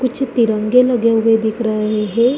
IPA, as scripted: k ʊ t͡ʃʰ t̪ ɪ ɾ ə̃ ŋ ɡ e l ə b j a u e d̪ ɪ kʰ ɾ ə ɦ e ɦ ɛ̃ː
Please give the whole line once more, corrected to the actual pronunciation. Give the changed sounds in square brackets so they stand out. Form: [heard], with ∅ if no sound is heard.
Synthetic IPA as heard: k ʊ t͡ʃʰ t̪ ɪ ɾ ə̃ ŋ ɡ e l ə [ɡ] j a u e d̪ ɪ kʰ ɾ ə ɦ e ɦ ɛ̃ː